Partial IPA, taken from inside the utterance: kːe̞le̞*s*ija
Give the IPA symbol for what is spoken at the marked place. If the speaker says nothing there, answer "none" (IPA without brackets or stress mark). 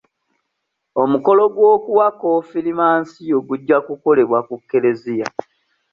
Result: z